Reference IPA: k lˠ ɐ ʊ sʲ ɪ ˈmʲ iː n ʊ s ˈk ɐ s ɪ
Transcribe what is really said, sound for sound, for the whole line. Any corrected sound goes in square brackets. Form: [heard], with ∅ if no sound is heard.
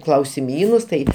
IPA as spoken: k lˠ ɐ ʊ sʲ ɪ ˈmʲ iː n ʊ s [ˈt] ɐ [∅] ɪ

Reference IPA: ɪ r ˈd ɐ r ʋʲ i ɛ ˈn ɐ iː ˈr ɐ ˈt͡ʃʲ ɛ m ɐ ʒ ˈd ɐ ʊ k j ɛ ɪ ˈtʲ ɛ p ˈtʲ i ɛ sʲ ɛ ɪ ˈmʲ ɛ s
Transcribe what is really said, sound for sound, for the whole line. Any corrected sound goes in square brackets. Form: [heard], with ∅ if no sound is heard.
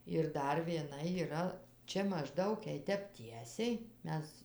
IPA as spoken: ɪ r ˈd ɐ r ʋʲ i ɛ ˈn ɐ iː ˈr ɐ ˈt͡ʃʲ ɛ m ɐ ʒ ˈd ɐ ʊ k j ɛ ɪ ˈtʲ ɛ p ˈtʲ i ɛ sʲ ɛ ɪ ˈmʲ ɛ s

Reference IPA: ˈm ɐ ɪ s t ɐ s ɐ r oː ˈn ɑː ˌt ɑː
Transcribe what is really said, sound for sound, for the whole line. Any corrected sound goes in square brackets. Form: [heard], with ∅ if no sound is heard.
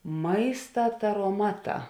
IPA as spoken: ˈm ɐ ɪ s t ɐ [t] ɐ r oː [ˈm] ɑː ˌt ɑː

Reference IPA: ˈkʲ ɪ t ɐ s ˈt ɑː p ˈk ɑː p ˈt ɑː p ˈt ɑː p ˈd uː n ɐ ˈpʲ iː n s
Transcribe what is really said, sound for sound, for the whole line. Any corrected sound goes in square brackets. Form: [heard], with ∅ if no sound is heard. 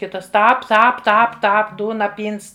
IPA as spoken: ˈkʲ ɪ t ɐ s ˈt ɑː p [ˈt] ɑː p ˈt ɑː p ˈt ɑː p ˈd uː n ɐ ˈpʲ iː n s

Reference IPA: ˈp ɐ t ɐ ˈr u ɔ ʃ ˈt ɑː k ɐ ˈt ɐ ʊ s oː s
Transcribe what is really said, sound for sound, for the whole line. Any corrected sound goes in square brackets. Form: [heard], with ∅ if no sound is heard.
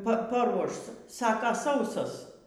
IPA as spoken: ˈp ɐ [p] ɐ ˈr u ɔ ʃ [ˈs] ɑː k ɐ [ˈs] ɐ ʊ s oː s

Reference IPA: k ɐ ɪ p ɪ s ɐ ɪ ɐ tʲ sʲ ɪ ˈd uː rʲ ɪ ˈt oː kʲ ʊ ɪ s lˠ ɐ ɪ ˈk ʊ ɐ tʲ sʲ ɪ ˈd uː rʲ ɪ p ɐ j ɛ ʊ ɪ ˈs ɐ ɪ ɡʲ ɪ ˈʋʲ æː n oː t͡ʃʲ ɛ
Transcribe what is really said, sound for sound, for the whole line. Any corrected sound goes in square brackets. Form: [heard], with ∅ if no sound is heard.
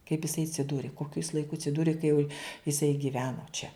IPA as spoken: k ɐ ɪ p ɪ s ɐ ɪ ɐ tʲ sʲ ɪ ˈd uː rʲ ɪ [ˈk] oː kʲ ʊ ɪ s lˠ ɐ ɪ ˈk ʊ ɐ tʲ sʲ ɪ ˈd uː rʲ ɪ [k] ɐ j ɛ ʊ ɪ ˈs ɐ ɪ ɡʲ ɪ ˈʋʲ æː n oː t͡ʃʲ ɛ

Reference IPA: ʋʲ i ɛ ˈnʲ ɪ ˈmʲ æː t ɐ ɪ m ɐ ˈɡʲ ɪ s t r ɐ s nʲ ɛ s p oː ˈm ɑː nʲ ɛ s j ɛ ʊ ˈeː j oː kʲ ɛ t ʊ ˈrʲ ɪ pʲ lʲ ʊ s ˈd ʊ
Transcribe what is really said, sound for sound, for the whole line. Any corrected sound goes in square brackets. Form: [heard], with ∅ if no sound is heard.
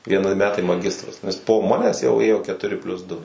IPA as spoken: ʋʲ i ɛ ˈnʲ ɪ ˈmʲ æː t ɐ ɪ m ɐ ˈɡʲ ɪ s t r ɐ s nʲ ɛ s p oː ˈm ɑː nʲ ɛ s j ɛ ʊ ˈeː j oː kʲ ɛ t ʊ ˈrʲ ɪ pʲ lʲ ʊ s ˈd ʊ

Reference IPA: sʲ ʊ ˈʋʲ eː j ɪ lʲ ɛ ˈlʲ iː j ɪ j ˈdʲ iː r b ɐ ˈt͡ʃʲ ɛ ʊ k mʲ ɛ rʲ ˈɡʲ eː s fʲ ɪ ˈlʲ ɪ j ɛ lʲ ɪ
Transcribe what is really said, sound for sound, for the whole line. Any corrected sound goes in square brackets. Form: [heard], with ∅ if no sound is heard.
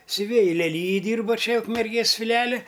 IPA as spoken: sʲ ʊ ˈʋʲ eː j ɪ lʲ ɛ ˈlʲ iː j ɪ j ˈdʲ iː r b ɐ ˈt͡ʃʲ ɛ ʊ k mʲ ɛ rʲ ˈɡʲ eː s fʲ ɪ ˈlʲ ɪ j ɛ lʲ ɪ

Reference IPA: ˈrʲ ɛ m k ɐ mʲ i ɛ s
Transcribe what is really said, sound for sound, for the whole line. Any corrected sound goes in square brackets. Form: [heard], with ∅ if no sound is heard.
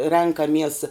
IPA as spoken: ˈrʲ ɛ [ŋ] k ɐ mʲ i ɛ s

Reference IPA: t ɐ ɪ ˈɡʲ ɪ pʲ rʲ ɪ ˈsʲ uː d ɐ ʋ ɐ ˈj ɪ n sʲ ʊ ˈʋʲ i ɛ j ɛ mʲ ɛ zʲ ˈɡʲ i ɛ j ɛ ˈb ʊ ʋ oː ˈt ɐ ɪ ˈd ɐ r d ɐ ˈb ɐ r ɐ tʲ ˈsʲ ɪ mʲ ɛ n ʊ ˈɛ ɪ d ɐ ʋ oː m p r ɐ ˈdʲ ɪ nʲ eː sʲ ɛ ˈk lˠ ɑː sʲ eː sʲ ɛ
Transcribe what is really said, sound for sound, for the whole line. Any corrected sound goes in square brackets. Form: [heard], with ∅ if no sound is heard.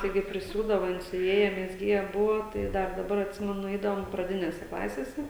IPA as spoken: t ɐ ɪ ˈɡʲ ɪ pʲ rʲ ɪ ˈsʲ uː d ɐ ʋ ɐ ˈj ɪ n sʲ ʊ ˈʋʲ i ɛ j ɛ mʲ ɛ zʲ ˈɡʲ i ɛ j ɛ ˈb ʊ ʋ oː ˈt ɐ ɪ ˈd ɐ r d ɐ ˈb ɐ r ɐ tʲ ˈsʲ ɪ mʲ ɛ n ʊ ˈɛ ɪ d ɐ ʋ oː m p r ɐ ˈdʲ ɪ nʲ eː sʲ ɛ ˈk lˠ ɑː sʲ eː sʲ ɛ

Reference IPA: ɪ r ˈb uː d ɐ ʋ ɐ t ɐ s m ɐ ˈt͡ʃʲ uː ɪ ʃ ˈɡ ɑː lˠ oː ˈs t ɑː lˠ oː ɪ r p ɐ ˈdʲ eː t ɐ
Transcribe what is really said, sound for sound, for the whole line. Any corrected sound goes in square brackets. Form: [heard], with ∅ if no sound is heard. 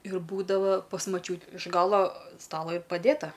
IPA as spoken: ɪ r ˈb uː d ɐ ʋ ɐ [p] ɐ s m ɐ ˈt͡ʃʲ uː ɪ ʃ ˈɡ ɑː lˠ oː ˈs t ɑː lˠ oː ɪ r p ɐ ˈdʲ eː t ɐ

